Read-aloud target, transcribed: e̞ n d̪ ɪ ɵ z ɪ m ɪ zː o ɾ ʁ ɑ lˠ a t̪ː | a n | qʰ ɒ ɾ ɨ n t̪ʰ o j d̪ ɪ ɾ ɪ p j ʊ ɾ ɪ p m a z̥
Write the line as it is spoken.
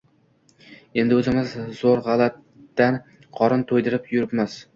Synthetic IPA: e̞ n d̪ ɪ ɵ z ɪ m ɪ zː o ɾ ʁ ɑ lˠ a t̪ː | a n | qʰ ɒ ɾ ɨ n t̪ʰ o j d̪ ɪ ɾ ɪ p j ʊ ɾ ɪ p m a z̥